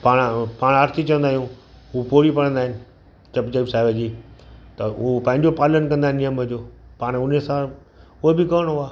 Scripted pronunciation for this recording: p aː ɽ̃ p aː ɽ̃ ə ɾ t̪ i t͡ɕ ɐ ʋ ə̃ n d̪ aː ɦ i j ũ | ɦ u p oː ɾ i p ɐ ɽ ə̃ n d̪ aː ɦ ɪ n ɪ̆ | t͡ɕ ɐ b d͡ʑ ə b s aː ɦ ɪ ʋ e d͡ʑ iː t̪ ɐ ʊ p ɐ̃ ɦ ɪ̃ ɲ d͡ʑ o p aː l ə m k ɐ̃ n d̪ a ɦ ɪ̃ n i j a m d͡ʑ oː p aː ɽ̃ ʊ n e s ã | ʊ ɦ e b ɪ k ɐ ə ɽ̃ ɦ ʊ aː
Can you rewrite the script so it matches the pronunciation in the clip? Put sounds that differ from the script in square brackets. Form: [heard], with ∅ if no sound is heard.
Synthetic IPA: p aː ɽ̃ p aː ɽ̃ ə ɾ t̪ i t͡ɕ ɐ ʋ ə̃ n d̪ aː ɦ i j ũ | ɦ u p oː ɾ i p ɐ ɽ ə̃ n d̪ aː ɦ ɪ n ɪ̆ | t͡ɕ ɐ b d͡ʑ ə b s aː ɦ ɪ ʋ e d͡ʑ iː t̪ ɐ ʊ p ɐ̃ ɦ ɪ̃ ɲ d͡ʑ o p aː l ə [n] k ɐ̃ n d̪ a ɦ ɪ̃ n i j [ə] m d͡ʑ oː p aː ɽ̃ ʊ n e s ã | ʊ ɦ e b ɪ k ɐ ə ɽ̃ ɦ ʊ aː